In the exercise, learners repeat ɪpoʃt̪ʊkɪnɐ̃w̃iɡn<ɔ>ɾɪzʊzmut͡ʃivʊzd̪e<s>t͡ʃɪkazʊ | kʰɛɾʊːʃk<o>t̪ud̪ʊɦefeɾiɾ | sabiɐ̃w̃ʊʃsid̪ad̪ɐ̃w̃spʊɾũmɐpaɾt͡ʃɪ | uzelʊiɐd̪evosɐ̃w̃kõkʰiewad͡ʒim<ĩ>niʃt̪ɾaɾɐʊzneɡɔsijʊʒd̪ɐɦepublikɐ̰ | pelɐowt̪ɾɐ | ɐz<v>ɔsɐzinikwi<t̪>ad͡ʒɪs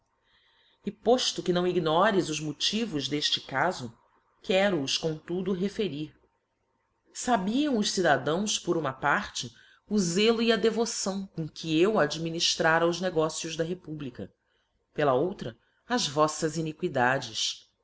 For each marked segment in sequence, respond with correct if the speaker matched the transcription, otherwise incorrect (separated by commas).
correct, incorrect, incorrect, incorrect, correct, incorrect